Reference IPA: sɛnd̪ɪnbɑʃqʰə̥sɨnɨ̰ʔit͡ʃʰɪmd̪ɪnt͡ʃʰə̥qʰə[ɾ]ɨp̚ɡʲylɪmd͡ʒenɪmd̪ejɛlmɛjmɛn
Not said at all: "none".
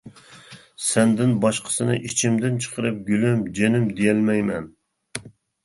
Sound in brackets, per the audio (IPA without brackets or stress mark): ɾ